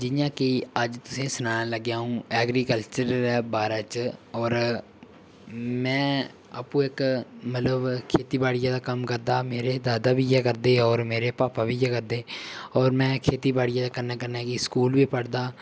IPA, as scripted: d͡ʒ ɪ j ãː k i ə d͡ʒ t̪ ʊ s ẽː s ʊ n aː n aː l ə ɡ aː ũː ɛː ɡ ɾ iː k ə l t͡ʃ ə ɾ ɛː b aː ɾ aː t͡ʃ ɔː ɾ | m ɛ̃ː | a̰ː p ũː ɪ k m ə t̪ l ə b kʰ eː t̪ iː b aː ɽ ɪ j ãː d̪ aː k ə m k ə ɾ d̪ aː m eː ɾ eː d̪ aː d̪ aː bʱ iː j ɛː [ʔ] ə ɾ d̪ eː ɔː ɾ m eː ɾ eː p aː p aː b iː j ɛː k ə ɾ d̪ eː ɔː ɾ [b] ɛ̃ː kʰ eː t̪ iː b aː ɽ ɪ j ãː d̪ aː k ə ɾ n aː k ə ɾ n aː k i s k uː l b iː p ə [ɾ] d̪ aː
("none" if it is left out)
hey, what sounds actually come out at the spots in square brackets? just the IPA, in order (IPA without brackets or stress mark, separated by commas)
k, m, ɽ